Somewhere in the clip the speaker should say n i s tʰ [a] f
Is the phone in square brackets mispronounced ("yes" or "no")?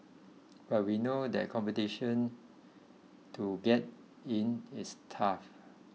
no